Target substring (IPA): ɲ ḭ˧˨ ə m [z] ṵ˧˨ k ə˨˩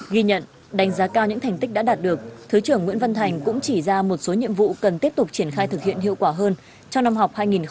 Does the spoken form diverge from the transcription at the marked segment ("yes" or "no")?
yes